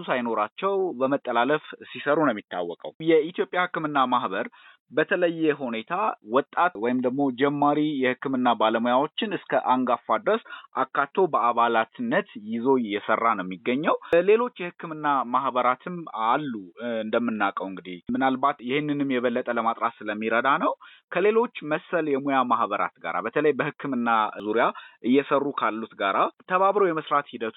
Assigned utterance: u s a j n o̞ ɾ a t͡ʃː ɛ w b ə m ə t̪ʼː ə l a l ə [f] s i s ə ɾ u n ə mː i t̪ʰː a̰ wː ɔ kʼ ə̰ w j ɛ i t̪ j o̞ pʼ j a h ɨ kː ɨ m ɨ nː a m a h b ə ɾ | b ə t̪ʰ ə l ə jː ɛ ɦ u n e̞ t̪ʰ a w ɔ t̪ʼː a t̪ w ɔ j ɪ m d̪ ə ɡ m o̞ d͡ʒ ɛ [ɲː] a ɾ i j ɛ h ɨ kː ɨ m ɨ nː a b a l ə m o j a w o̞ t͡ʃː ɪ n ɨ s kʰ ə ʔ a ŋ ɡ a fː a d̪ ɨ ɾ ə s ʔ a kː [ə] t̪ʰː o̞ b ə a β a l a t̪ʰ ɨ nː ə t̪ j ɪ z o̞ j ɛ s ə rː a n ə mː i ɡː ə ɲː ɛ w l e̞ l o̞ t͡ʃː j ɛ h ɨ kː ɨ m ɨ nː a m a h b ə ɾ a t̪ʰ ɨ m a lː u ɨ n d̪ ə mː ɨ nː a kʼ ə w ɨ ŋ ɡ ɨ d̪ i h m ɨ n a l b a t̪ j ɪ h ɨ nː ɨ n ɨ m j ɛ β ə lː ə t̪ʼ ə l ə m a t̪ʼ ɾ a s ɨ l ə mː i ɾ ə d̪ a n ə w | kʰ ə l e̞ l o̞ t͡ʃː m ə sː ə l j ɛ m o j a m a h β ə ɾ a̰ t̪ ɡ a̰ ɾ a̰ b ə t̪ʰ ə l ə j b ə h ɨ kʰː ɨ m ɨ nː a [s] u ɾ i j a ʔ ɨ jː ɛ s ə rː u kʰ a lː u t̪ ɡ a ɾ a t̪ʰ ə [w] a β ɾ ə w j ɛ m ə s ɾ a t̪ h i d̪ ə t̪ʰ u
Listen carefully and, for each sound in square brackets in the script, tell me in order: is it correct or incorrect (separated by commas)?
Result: correct, incorrect, incorrect, incorrect, incorrect